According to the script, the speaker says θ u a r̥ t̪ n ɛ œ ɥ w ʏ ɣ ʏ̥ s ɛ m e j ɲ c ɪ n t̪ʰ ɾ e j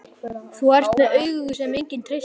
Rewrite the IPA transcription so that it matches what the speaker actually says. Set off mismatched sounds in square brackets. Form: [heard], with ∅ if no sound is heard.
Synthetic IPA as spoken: θ u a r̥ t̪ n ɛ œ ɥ [ɣ] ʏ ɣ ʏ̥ s ɛ m e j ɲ c ɪ n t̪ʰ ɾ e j